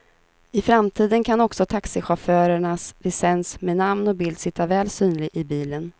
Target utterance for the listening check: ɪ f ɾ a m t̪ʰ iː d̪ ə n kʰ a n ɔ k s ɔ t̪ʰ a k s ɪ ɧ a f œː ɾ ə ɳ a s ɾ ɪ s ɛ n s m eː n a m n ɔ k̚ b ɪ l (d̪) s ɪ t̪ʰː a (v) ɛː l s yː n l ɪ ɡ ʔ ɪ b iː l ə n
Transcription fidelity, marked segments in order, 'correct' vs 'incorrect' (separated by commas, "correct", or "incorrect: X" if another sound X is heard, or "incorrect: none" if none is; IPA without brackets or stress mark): correct, correct